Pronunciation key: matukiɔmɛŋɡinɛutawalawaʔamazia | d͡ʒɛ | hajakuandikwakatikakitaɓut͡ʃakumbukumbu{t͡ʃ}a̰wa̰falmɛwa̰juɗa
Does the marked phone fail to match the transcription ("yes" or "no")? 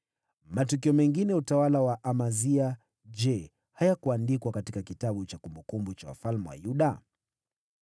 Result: no